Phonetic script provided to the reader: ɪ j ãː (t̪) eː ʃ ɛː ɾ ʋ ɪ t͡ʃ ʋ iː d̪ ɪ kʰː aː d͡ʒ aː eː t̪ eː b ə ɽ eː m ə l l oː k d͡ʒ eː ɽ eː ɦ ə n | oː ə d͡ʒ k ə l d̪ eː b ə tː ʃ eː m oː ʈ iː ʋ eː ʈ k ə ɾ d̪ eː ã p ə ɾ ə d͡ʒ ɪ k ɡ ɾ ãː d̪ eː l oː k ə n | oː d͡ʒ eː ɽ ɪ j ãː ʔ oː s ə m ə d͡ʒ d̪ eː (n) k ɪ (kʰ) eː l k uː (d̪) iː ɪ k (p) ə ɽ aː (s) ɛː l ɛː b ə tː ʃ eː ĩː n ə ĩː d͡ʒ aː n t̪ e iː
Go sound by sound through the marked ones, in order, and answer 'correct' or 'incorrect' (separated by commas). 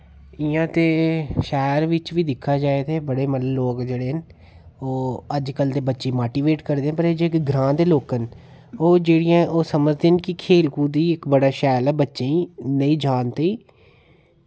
correct, correct, correct, correct, incorrect, incorrect